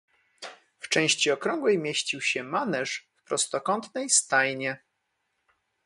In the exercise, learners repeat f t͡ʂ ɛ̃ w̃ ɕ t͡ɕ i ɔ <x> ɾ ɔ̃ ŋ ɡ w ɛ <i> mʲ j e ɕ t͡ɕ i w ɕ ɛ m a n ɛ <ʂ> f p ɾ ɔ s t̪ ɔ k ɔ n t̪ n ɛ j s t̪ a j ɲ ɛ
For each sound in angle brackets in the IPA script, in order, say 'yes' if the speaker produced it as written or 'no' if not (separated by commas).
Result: no, no, yes